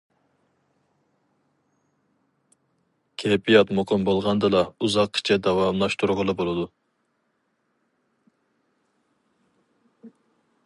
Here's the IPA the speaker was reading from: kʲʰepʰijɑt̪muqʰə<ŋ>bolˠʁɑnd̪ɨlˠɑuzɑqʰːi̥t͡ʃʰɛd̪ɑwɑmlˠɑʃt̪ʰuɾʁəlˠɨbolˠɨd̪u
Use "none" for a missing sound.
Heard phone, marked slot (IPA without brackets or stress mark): m